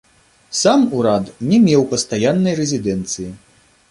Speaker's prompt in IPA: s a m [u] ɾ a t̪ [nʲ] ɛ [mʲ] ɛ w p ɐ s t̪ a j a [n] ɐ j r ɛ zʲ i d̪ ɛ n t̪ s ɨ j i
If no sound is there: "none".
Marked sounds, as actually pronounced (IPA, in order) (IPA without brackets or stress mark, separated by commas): u, nʲ, mʲ, nː